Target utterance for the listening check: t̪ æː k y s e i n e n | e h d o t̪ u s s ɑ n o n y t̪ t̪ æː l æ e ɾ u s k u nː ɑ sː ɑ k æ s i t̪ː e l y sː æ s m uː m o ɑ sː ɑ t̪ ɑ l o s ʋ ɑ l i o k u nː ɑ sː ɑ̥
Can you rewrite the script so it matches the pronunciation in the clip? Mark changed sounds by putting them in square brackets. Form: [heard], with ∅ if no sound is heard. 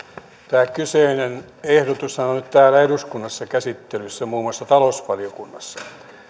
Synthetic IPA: t̪ æː k y s e i n e n | e h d o t̪ u s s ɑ n o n y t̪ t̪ æː l æ e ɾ u s k u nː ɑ sː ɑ k æ s i t̪ː e l y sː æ [∅] m uː m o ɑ sː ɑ t̪ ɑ l o s ʋ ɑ l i o k u nː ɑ sː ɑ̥